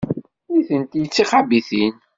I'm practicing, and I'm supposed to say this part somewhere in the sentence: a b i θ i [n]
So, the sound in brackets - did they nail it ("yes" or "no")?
yes